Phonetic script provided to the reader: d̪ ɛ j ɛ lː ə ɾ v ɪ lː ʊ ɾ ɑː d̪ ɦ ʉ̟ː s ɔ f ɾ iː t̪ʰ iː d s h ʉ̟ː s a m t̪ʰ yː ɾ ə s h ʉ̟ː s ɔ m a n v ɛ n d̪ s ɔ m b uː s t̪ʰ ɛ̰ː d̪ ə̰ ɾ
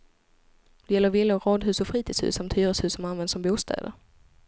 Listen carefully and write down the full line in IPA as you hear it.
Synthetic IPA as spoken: d̪ ɛ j ɛ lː ə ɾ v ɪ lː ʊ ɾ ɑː d̪ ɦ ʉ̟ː s ɔ f ɾ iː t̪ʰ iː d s h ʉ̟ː s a m t̪ʰ yː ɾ ə s h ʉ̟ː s ɔ m a n v ɛ n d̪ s ɔ m b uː s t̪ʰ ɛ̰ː d̪ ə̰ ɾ

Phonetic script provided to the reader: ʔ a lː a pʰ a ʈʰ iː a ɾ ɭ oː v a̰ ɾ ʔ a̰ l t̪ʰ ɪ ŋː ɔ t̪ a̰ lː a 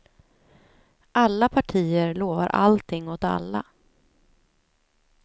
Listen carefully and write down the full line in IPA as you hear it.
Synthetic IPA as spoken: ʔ a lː a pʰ a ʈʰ iː ə ɾ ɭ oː v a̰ ɾ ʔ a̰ l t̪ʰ ɪ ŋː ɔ t̪ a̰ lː a

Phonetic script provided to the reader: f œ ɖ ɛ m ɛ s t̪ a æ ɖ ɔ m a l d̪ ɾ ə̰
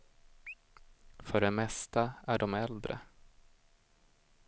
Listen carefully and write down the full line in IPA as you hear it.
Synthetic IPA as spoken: f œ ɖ ɛ m ɛ s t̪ a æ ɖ ɔ m ɛ l d̪ ɾ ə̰

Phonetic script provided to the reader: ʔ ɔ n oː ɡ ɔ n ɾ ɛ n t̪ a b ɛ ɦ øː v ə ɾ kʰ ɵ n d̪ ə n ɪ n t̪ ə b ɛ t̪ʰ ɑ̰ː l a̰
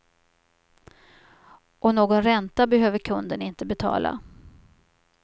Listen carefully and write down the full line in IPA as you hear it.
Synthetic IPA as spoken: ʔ ɔ n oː ɡ ɔ n ɾ ɛ n t̪ a b ɛ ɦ øː v ə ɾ kʰ ɵ n d̪ ə n ɪ n t̪ ə b ɛ t̪ʰ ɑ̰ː l a̰

